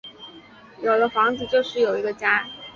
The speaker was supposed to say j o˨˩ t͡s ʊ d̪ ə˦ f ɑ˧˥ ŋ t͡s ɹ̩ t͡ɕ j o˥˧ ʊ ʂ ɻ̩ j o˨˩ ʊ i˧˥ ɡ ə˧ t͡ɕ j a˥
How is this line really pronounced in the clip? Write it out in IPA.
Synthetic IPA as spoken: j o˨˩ ʊ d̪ ə˦ f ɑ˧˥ ŋ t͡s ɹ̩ t͡ɕ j o˥˧ ʊ ʂ ɻ̩ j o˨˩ ʊ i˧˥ ɡ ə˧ t͡ɕ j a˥